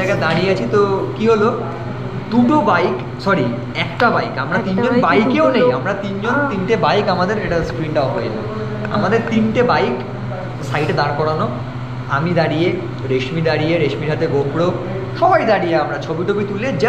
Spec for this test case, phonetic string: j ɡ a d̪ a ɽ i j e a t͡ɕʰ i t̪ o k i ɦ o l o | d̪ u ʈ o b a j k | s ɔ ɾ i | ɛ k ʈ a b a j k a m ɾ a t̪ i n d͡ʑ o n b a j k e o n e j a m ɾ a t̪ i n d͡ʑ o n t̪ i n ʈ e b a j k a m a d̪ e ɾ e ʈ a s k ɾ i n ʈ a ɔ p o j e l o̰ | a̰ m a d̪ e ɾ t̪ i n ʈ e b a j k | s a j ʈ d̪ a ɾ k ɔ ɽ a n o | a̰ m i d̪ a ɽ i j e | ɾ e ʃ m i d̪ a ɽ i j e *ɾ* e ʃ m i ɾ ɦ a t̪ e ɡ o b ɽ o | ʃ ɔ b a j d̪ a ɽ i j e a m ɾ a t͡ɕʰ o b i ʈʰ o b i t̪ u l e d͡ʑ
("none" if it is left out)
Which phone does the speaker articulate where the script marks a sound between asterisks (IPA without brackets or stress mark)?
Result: ɾ